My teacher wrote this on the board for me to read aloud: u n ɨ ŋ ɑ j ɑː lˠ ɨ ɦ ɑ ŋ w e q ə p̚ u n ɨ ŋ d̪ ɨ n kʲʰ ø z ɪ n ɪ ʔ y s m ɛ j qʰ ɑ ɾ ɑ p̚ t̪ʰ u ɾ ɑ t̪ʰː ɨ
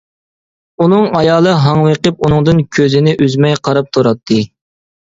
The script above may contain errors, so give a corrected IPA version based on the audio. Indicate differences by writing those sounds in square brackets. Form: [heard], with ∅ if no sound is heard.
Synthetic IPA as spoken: u n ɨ ŋ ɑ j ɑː lˠ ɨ ɦ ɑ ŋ w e q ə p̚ u n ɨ ŋ d̪ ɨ n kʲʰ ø z ɪ n ɪ ʔ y [z] m ɛ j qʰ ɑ ɾ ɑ p̚ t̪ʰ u ɾ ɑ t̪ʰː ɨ